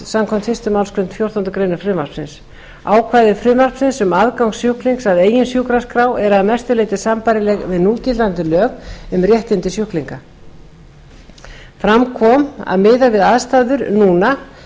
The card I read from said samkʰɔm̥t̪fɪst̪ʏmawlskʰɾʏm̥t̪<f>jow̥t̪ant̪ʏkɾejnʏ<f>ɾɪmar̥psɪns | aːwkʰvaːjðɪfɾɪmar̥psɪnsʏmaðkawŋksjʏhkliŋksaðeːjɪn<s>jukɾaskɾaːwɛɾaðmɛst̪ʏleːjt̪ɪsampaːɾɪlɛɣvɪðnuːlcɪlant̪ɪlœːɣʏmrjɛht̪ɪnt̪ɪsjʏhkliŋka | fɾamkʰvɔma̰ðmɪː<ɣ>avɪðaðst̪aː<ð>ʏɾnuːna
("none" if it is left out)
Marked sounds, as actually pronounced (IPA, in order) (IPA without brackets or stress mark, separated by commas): f, f, s, ð, ð